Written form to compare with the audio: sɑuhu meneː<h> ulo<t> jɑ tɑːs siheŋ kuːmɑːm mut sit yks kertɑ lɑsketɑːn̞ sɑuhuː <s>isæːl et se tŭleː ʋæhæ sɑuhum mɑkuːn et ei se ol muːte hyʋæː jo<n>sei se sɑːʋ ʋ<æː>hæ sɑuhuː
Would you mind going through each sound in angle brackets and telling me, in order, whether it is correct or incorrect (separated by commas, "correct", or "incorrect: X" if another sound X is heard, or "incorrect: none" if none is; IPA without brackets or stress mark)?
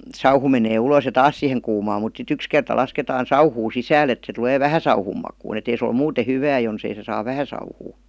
incorrect: none, incorrect: s, correct, correct, incorrect: æ